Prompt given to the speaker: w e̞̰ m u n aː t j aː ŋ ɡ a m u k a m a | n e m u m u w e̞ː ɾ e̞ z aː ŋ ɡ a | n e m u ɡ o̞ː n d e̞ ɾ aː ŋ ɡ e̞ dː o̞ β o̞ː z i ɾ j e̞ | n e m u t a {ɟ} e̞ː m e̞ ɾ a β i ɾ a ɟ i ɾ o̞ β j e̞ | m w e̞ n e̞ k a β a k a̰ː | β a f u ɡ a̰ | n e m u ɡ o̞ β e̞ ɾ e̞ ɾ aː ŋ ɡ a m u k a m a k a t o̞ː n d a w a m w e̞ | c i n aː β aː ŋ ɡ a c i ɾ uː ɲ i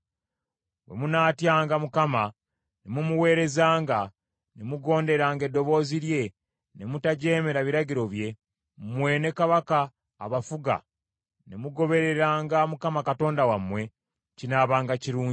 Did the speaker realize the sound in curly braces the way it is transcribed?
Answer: yes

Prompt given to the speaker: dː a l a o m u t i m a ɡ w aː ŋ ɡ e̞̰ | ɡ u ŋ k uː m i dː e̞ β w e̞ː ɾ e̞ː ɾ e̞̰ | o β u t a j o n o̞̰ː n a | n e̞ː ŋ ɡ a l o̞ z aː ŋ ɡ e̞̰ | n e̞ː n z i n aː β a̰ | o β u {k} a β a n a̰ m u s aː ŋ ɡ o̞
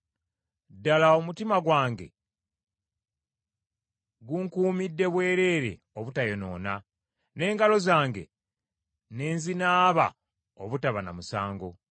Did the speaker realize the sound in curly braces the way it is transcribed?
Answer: no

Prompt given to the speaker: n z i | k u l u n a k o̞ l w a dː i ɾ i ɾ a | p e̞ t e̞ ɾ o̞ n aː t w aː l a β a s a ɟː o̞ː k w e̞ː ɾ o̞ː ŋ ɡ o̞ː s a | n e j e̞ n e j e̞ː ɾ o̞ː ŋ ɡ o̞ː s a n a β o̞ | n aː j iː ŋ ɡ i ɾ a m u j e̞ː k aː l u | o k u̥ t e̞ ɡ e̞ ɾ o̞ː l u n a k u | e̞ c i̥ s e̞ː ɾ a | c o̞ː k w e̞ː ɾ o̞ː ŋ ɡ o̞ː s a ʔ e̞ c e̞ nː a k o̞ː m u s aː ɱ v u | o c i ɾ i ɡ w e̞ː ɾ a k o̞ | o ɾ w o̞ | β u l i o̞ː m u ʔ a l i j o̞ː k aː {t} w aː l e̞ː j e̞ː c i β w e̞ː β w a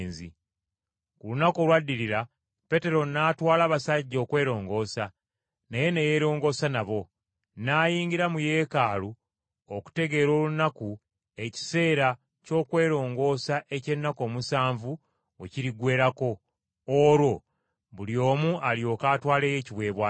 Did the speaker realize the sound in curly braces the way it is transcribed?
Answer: yes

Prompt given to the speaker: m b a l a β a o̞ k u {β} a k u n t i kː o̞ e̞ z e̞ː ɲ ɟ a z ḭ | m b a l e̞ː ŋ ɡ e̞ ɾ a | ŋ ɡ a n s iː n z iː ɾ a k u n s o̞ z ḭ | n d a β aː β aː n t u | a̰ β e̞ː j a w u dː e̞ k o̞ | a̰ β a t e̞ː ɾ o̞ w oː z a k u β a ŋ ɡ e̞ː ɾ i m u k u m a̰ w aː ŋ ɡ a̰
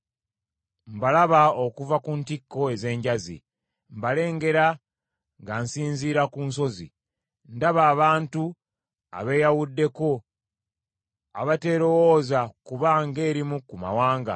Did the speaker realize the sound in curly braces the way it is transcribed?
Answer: no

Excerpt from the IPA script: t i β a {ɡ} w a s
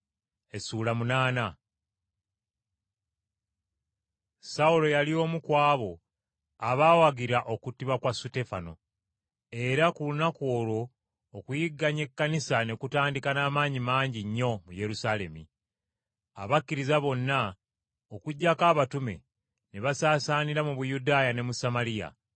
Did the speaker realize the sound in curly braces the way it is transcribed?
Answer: no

